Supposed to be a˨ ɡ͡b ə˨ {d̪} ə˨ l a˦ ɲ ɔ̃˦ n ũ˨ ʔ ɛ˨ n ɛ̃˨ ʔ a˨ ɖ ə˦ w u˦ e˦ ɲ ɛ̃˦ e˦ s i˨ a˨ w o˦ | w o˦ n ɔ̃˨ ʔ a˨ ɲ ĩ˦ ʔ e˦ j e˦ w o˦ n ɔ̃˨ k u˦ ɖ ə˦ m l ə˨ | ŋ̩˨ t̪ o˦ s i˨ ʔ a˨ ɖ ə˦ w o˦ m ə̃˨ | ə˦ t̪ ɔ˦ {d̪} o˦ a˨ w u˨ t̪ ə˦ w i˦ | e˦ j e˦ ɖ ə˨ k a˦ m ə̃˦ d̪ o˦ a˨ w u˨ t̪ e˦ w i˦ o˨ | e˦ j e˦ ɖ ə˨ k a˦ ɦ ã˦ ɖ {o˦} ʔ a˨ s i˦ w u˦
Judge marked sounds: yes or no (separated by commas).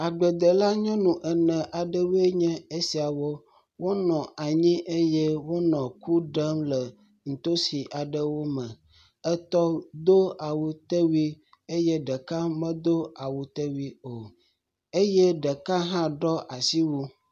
yes, yes, no